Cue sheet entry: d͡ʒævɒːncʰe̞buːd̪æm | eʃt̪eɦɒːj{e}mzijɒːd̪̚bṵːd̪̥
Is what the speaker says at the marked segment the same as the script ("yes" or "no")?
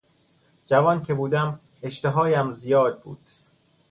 no